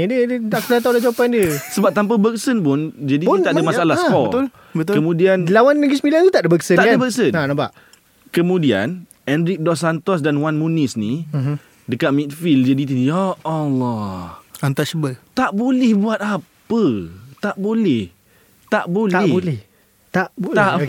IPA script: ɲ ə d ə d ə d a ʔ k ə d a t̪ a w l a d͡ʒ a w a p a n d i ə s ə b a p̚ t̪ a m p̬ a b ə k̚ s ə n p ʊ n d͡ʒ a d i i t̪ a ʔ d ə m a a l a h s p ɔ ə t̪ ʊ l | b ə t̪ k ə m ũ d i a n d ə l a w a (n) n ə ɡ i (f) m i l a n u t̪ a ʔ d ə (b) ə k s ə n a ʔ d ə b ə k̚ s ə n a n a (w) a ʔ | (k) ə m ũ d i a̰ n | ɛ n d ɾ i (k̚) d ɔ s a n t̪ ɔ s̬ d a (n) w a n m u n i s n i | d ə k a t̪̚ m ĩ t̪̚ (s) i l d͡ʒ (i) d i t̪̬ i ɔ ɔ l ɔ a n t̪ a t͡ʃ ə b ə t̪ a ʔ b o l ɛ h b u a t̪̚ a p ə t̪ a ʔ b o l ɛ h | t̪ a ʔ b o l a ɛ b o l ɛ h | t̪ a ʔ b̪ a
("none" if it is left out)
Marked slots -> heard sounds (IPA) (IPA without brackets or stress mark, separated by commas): n, s, b, b, k, k̚, n, f, a